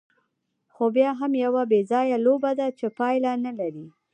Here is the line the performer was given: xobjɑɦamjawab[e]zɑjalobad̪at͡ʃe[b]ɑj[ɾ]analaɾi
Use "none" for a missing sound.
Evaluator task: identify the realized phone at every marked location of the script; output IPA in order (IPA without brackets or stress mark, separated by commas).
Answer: e, p, l